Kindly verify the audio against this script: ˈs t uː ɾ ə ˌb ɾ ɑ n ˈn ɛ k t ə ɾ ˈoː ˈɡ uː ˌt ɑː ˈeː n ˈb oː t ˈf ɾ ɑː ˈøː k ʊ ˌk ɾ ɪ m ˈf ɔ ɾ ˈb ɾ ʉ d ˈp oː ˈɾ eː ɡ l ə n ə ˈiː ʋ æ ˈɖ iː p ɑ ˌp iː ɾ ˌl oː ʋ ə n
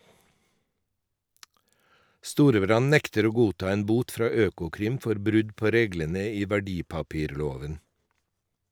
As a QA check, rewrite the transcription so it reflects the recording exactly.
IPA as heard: ˈs t uː ɾ ə ˌb ɾ ɑ n ˈn ɛ k t ə ɾ ˈoː ˈɡ uː ˌt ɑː ˈeː n ˈb uː t ˈf ɾ ɑː ˈøː k ʊ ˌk ɾ ɪ m ˈf ɔ ɾ ˈb ɾ ʉ d ˈp oː ˈɾ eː ɡ l ə n ə ˈiː ʋ æ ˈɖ iː p ɑ ˌp iː ɾ ˌl oː ʋ ə n